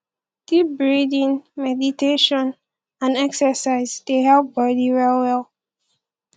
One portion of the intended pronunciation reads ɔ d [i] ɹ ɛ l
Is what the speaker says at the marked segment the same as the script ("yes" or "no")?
yes